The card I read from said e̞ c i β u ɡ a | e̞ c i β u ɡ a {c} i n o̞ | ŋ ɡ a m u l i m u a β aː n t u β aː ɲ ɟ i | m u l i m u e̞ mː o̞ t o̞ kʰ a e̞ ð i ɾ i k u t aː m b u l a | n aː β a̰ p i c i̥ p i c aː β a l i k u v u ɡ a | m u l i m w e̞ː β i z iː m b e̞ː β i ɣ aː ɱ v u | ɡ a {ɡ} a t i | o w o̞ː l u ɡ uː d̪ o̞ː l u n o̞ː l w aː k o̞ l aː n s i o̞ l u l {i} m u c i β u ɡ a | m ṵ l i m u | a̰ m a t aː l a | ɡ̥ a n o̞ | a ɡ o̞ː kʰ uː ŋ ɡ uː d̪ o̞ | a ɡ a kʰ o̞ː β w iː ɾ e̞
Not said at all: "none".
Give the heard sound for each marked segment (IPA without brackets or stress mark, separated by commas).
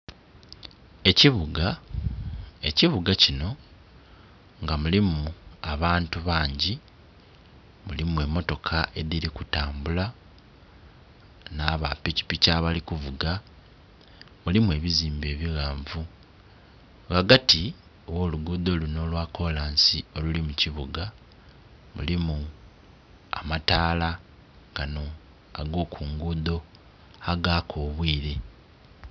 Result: c, ɡ, i